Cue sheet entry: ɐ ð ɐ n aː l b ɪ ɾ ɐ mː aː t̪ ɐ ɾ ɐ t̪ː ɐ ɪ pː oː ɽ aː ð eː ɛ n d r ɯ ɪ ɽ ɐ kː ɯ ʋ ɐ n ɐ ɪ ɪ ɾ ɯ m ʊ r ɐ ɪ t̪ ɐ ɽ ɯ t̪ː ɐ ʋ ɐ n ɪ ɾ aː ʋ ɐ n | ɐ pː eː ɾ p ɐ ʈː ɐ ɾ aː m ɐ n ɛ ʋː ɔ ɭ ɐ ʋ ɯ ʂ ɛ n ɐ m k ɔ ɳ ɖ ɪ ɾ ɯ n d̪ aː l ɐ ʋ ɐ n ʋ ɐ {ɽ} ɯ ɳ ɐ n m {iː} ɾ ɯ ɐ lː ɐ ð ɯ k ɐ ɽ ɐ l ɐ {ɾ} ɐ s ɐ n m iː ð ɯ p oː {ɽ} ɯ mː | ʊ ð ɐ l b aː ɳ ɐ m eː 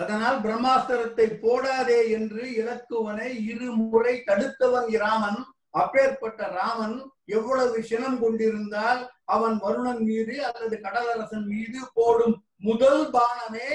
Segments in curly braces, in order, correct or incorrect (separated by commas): incorrect, correct, correct, correct